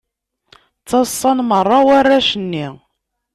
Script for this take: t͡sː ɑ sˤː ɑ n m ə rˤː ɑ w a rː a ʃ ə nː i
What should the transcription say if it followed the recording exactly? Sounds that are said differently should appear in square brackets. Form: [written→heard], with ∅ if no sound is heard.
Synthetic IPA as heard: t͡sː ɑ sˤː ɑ n m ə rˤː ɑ w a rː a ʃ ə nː i